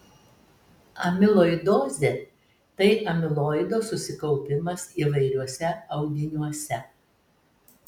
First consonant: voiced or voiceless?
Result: voiced